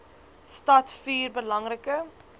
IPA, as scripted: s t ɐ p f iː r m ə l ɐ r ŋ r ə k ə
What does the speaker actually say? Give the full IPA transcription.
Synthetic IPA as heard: s t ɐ t f iː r b ə l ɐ ŋ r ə k ə